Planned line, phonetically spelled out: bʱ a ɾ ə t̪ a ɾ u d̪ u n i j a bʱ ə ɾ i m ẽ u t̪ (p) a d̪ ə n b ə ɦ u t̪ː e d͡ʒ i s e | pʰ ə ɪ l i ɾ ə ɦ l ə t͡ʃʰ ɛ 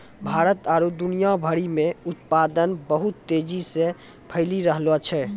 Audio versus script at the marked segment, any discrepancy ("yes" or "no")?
no